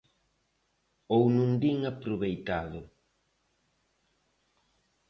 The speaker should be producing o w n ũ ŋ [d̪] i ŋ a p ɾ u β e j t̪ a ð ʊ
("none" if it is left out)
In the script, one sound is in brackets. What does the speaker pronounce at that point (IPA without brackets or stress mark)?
d̪